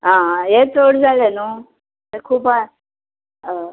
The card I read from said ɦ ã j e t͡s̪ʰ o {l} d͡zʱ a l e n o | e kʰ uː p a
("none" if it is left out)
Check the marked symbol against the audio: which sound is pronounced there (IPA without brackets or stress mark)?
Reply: ɽ